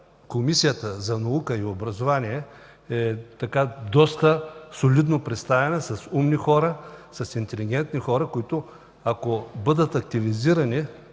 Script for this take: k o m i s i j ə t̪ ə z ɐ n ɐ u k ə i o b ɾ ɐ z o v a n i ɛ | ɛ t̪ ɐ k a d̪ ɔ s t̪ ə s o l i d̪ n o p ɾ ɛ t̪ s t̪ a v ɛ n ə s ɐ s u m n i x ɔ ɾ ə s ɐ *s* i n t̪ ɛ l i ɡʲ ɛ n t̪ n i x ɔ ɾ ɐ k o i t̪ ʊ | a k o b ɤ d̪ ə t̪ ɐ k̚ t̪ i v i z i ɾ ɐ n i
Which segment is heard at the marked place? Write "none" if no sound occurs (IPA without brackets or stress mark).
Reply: s